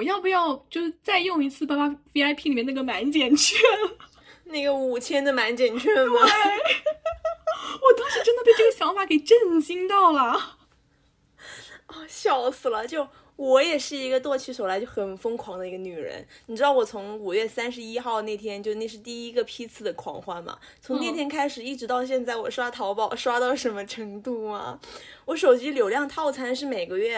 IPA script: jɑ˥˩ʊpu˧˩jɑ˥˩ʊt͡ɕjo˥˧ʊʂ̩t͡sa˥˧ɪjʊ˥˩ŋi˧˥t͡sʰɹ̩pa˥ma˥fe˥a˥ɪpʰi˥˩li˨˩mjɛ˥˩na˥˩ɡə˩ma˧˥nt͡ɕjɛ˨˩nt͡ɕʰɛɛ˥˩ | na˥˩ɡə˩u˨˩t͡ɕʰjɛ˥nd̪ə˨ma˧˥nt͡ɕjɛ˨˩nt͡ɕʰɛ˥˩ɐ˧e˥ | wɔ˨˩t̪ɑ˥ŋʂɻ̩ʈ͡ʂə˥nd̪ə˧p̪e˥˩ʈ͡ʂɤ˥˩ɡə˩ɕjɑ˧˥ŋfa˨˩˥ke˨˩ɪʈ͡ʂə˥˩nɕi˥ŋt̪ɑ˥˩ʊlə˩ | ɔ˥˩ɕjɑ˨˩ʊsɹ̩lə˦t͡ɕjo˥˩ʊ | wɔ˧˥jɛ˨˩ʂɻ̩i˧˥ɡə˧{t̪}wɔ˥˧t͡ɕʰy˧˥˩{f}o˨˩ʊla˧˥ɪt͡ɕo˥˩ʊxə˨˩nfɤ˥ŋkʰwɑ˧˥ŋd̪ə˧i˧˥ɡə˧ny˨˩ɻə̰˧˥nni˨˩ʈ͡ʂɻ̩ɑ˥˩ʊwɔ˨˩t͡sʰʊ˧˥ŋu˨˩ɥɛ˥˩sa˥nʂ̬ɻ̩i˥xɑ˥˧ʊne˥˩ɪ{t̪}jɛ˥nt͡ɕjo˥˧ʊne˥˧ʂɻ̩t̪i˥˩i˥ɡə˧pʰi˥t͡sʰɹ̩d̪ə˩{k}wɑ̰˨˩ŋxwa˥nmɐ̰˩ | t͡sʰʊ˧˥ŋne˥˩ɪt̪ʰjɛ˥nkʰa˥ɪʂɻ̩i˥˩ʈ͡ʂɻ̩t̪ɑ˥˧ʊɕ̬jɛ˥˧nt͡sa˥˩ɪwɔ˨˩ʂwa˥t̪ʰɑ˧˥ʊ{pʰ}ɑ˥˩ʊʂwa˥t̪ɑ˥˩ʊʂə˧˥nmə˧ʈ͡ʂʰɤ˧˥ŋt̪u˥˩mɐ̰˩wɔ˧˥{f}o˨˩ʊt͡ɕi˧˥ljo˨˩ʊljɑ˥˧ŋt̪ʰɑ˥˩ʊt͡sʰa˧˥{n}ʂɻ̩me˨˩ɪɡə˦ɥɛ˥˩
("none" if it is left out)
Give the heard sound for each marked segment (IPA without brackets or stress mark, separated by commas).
t̪, ʂ, t̪ʰ, kʰ, p, ʂ, n